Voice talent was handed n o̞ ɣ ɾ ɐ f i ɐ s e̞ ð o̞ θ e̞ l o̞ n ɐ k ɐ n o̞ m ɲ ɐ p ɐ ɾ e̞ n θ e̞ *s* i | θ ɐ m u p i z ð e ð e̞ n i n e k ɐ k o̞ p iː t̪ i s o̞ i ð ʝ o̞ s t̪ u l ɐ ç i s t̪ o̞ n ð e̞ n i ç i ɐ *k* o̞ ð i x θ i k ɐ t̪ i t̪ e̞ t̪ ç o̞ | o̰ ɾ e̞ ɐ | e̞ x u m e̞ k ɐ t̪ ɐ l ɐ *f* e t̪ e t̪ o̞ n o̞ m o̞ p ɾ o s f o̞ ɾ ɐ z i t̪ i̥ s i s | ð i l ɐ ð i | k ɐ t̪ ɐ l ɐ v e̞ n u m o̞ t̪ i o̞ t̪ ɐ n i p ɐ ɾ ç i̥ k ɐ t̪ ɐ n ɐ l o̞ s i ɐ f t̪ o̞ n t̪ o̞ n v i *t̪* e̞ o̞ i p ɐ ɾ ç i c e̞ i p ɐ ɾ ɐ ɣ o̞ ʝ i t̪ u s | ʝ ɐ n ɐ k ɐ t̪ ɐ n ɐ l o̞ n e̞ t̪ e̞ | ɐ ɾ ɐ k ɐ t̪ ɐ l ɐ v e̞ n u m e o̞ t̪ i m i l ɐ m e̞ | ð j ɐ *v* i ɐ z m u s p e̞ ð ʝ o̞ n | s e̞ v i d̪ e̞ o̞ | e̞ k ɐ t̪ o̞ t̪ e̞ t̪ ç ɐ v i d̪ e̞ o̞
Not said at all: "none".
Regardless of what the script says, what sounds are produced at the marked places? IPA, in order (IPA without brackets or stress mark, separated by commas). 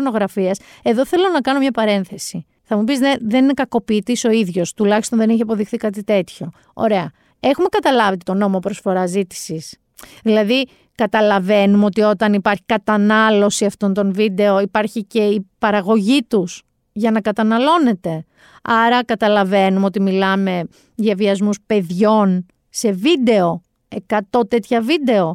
s, p, v, d̪, v